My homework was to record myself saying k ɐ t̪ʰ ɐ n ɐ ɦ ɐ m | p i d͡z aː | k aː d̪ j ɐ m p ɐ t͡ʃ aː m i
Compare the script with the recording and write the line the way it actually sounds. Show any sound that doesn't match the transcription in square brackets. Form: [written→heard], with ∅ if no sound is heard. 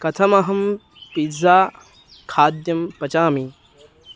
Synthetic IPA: k ɐ t̪ʰ ɐ [n→m] ɐ ɦ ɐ m | p i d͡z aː | [k→kʰ] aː d̪ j ɐ m p ɐ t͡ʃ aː m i